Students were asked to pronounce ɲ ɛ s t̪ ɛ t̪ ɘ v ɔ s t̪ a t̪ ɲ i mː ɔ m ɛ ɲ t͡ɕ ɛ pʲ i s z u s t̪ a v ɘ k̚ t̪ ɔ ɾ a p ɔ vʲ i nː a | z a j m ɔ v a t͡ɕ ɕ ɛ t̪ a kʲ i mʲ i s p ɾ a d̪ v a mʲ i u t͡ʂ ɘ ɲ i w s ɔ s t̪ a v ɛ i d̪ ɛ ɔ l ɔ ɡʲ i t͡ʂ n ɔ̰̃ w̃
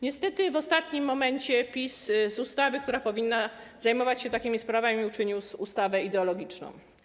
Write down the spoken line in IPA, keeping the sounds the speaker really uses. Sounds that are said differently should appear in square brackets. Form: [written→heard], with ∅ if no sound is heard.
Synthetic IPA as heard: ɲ ɛ s t̪ ɛ t̪ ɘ v ɔ s t̪ a t̪ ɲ i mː ɔ m ɛ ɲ t͡ɕ ɛ pʲ i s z u s t̪ a v ɘ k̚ t̪ [ɔ→u] ɾ a p ɔ vʲ i nː a | z a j m ɔ v a t͡ɕ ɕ ɛ t̪ a kʲ i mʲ i s p ɾ a [d̪→∅] v a mʲ i u t͡ʂ ɘ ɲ i w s [ɔ→u] s t̪ a v ɛ i d̪ ɛ ɔ l ɔ ɡʲ i t͡ʂ n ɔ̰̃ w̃